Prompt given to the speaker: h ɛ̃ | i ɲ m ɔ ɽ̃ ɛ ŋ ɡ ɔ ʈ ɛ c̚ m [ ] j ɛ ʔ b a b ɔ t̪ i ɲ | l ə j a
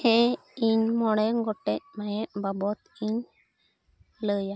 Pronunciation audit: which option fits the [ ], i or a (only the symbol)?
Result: a